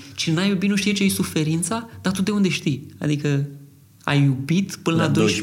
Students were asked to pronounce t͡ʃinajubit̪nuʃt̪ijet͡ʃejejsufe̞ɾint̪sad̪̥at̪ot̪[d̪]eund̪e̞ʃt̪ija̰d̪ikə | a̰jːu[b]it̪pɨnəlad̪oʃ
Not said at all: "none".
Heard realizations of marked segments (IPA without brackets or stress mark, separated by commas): d̪, b